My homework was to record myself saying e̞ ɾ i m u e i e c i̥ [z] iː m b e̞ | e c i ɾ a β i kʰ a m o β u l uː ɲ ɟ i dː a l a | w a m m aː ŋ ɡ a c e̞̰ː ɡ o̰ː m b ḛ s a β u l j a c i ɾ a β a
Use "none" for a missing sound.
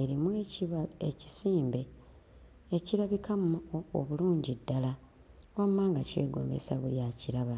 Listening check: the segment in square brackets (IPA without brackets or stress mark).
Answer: s